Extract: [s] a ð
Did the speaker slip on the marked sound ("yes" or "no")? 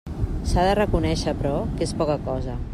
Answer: no